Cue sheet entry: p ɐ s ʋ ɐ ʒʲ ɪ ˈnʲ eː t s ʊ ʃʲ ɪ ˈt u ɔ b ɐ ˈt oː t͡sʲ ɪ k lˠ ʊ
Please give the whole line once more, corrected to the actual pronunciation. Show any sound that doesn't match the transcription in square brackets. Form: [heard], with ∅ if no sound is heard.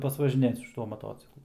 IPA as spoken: p ɐ s ʋ ɐ ʒʲ ɪ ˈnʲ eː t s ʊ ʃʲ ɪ ˈt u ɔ [m] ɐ ˈt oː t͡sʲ ɪ k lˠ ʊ